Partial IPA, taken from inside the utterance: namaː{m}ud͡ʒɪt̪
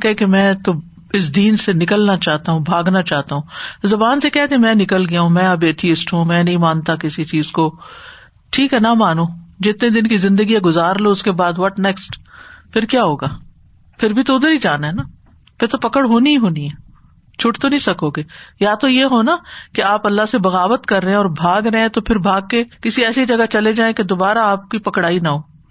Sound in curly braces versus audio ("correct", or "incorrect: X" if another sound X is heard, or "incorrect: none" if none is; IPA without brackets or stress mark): incorrect: n